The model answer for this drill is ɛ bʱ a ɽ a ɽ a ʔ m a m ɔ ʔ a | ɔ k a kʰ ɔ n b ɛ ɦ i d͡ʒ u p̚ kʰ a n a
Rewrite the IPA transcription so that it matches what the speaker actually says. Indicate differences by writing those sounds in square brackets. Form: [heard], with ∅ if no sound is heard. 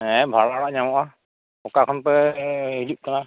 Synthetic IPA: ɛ bʱ a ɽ a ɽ a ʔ [ɲ] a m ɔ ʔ a | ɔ k a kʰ ɔ n [p] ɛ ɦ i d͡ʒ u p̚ [k] a n a